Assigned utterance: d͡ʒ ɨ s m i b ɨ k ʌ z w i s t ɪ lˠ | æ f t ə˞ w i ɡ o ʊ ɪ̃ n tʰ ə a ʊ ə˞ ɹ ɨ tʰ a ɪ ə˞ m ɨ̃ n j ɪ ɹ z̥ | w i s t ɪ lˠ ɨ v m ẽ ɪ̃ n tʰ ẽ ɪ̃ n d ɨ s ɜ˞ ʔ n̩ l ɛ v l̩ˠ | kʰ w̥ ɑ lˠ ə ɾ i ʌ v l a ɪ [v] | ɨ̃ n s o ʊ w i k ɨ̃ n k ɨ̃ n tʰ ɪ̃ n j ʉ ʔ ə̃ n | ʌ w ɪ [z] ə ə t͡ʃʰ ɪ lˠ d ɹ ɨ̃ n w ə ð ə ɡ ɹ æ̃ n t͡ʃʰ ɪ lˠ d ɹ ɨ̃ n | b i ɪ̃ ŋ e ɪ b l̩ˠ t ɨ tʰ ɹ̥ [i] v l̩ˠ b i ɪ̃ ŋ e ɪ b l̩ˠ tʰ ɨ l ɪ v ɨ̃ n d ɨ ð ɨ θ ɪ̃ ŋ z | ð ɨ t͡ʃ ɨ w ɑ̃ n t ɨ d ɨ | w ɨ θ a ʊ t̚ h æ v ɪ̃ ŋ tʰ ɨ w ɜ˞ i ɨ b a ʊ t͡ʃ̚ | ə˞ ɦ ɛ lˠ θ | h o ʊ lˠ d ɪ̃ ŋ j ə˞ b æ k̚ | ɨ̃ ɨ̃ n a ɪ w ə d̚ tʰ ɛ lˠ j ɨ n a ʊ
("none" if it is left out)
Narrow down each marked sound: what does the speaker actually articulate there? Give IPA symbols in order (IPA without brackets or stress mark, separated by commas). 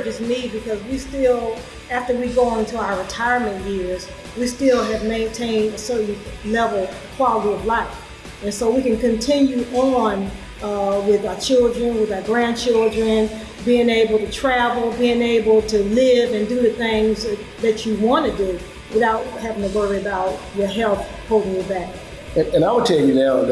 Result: f, ð, æ